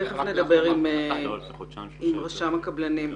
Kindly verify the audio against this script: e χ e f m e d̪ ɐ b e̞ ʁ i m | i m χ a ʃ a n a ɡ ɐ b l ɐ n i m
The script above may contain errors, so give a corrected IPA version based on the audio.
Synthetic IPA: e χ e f n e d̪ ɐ b e̞ ʁ i m | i m ʁ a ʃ a m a k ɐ b l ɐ n i m